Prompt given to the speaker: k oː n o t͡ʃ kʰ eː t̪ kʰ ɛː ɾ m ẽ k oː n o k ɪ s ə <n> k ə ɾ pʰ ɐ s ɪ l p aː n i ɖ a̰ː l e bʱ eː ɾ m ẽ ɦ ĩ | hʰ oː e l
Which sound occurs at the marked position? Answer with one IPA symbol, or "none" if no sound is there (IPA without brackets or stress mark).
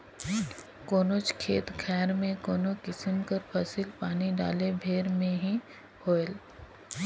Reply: m